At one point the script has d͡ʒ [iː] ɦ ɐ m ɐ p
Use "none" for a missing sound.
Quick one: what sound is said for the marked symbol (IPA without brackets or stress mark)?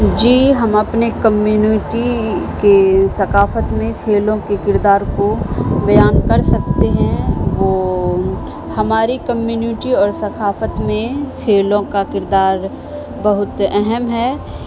iː